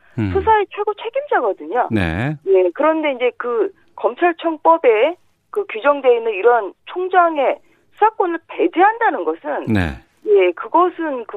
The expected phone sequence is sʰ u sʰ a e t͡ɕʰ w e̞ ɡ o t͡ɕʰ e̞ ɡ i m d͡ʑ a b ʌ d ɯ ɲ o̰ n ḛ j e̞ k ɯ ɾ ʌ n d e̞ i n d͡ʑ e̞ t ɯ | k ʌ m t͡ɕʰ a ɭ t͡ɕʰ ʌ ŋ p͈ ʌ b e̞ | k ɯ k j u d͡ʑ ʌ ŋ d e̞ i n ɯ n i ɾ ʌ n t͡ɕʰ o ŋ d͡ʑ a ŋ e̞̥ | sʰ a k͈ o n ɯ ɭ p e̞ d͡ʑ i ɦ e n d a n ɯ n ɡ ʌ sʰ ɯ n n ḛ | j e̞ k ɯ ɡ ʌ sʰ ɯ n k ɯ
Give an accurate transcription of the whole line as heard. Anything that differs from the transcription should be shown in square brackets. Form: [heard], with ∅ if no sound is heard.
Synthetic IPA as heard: sʰ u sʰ a e t͡ɕʰ w e̞ ɡ o t͡ɕʰ e̞ ɡ i m d͡ʑ a [ɡ] ʌ d ɯ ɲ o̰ n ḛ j e̞ k ɯ ɾ ʌ n d e̞ i n d͡ʑ e̞ [k] ɯ | k ʌ m t͡ɕʰ a ɭ t͡ɕʰ ʌ ŋ p͈ ʌ b e̞ | k ɯ k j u d͡ʑ ʌ ŋ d e̞ i n ɯ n i ɾ ʌ n t͡ɕʰ o ŋ d͡ʑ a ŋ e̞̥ | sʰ a k͈ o n ɯ ɭ p e̞ d͡ʑ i ɦ [a] n d a n ɯ n ɡ ʌ sʰ ɯ n n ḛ | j e̞ k ɯ ɡ ʌ sʰ ɯ n k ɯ